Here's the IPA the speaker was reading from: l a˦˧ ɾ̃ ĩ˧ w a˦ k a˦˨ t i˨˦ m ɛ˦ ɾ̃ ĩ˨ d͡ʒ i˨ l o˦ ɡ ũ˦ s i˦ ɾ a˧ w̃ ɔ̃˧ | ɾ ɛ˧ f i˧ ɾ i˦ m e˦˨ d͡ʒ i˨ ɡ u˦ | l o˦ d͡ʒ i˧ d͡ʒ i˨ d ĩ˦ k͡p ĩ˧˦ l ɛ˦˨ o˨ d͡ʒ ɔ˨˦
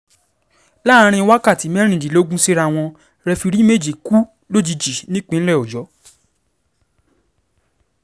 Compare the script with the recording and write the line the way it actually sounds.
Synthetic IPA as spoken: l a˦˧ ɾ̃ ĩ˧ w a˦ k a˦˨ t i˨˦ m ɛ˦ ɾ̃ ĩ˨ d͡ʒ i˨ l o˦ ɡ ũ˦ s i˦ ɾ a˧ w̃ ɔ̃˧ | ɾ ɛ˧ f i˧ ɾ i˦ m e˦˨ d͡ʒ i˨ k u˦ | l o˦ d͡ʒ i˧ d͡ʒ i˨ n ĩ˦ k͡p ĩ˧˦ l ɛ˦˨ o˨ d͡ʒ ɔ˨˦

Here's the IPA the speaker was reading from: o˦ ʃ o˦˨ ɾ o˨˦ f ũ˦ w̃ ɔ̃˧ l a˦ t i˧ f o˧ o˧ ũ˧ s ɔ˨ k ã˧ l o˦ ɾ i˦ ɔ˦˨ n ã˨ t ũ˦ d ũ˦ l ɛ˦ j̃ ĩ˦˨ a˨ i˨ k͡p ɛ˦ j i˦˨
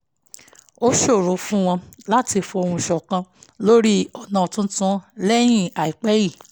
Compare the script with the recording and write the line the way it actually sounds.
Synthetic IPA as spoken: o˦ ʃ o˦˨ ɾ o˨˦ f ũ˦ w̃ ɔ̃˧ l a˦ t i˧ f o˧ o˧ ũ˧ ʃ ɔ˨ k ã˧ l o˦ ɾ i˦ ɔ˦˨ n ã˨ t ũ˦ t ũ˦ l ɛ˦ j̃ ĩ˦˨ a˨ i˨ k͡p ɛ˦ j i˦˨

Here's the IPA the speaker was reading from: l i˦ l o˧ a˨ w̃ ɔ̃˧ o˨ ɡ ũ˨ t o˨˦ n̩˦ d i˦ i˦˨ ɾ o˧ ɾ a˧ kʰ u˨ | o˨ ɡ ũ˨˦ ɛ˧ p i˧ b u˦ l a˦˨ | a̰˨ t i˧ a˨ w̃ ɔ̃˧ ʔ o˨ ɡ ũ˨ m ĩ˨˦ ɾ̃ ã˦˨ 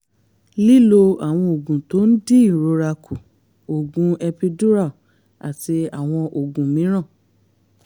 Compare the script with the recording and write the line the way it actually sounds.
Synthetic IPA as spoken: l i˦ l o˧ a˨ w̃ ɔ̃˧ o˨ ɡ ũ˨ t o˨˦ n̩˦ d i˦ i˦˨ ɾ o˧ ɾ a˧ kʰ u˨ | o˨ ɡ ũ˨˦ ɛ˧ p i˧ d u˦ ɾ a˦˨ | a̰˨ t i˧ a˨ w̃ ɔ̃˧ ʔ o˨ ɡ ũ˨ m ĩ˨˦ ɾ̃ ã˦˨

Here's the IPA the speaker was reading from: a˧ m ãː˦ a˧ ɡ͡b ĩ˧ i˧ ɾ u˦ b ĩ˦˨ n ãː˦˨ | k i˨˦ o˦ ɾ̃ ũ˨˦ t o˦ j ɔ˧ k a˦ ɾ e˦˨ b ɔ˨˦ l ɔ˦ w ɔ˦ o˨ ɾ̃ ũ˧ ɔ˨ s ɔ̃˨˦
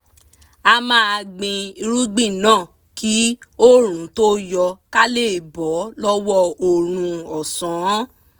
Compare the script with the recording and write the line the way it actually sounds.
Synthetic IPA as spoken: a˧ m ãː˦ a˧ ɡ͡b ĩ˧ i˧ ɾ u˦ ɡ͡b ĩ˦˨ n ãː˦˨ | k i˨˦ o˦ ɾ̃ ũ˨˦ t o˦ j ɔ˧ k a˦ l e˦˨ b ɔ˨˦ l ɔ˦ w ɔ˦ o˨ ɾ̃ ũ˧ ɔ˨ s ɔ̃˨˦

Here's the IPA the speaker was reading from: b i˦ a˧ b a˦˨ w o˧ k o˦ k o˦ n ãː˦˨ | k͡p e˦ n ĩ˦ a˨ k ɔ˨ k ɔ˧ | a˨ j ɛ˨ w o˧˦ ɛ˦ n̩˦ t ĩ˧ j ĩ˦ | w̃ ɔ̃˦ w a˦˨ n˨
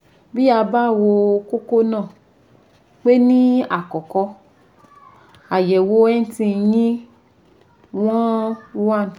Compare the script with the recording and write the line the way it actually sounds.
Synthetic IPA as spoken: b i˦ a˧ b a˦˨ w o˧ k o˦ k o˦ n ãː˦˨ | k͡p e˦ n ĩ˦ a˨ k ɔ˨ k ɔ˧ | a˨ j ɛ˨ w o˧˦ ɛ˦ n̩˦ t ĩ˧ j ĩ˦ | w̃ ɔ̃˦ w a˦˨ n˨

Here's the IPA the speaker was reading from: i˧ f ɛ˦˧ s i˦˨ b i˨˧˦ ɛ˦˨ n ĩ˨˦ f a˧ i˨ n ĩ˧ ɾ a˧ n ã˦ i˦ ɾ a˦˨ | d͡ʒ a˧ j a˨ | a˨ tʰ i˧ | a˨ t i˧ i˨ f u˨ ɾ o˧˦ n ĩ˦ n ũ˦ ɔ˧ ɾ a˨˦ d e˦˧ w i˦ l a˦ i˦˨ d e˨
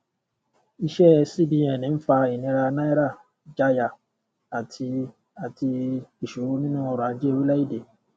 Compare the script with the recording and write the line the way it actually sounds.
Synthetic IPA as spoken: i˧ ʃ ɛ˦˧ s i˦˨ b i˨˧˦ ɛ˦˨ n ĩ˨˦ f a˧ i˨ n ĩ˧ ɾ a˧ n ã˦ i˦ ɾ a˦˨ | d͡ʒ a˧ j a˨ | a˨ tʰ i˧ | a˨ t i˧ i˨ ʃ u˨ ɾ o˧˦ n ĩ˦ n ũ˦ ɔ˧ ɾ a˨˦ d͡ʒ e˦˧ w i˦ l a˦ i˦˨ d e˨

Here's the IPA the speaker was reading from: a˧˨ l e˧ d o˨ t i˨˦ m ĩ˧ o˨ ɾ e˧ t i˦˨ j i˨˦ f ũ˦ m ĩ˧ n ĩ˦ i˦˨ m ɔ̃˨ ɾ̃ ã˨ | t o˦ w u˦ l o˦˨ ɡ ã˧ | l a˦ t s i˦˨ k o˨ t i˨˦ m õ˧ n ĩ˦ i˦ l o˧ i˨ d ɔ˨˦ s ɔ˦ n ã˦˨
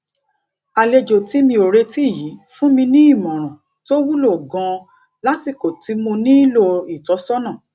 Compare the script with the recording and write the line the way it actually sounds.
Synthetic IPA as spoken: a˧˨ l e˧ d͡ʒ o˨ t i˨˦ m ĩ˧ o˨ ɾ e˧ t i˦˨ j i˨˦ f ũ˦ m ĩ˧ n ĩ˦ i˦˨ m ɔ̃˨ ɾ̃ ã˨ | t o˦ w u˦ l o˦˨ ɡ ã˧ | l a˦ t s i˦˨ k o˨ t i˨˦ m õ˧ n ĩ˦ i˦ l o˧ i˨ t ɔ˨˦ s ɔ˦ n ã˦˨

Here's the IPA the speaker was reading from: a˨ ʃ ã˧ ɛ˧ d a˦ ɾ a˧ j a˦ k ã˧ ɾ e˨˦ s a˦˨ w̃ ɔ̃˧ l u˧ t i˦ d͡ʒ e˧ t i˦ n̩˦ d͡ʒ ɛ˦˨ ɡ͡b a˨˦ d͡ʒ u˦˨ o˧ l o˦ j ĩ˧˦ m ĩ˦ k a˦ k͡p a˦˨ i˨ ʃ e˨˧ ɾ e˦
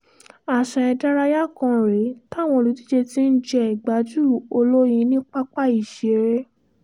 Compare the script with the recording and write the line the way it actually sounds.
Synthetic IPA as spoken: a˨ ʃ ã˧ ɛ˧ d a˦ ɾ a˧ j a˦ k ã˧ ɾ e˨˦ t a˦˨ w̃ ɔ̃˧ l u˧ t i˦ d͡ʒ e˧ t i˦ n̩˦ d͡ʒ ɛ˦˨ ɡ͡b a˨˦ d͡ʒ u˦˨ o˧ l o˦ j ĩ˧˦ n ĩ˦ k͡p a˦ k͡p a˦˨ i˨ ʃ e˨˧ ɾ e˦

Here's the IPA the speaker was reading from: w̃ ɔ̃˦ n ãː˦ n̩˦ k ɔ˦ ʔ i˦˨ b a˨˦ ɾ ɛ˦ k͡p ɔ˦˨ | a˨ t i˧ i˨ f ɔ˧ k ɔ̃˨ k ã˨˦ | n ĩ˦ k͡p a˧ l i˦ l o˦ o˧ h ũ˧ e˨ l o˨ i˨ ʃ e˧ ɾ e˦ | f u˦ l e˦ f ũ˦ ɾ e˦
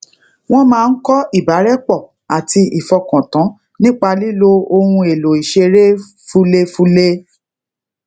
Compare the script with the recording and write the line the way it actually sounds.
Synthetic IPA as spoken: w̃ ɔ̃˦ m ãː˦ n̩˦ k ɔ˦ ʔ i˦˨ b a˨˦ ɾ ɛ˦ k͡p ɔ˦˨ | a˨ t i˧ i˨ f ɔ˧ k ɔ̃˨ t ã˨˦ | n ĩ˦ k͡p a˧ l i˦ l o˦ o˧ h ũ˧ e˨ l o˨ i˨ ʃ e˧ ɾ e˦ | f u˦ l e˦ f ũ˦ l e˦

